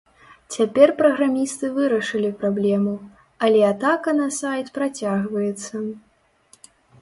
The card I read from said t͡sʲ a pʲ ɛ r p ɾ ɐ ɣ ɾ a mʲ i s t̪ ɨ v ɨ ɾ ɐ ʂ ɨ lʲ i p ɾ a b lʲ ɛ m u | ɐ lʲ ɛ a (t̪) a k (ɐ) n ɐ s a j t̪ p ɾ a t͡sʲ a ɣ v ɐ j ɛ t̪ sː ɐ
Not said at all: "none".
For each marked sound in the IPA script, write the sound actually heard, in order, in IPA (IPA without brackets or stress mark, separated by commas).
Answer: t̪, ɐ